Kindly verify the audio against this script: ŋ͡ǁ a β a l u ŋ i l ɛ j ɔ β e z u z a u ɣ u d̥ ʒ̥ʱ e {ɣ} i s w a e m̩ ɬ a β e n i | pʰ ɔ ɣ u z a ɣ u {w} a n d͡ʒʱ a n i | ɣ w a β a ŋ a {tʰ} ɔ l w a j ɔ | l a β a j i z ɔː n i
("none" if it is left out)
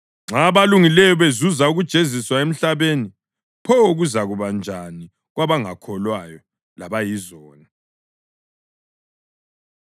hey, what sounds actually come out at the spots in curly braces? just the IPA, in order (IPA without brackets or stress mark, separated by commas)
z, β, kʰ